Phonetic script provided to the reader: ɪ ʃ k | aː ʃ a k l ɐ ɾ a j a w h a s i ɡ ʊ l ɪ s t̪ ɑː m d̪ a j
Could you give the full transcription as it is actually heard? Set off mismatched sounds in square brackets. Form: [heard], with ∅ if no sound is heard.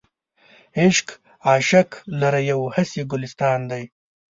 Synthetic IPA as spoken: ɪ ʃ k | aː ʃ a k l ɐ ɾ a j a w h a s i ɡ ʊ l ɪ s t̪ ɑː [n] d̪ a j